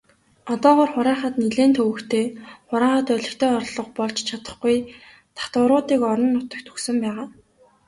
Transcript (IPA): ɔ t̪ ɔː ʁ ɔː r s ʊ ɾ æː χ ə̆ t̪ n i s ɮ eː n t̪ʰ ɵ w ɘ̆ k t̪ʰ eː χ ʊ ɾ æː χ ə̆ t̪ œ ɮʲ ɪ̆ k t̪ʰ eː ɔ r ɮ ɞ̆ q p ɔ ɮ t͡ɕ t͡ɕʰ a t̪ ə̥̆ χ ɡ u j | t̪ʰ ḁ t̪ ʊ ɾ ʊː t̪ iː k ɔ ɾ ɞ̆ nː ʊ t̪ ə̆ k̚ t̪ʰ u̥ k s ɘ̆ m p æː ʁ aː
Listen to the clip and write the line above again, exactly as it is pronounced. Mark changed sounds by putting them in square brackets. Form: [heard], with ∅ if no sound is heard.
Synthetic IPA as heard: ɔ t̪ ɔː ʁ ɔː r [χ] ʊ ɾ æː χ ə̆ t̪ n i [∅] ɮ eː n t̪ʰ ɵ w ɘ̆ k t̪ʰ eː χ ʊ ɾ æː χ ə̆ t̪ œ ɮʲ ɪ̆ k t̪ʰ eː ɔ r ɮ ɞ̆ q p ɔ ɮ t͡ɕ t͡ɕʰ a t̪ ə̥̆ χ ɡ u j | t̪ʰ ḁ t̪ ʊ ɾ ʊː t̪ iː k ɔ ɾ ɞ̆ nː ʊ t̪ ə̆ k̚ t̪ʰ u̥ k s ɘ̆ m p æː ʁ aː